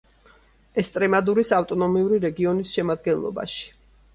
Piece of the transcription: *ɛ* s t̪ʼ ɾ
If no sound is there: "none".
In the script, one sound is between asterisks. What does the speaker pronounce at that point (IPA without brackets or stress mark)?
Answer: ɛ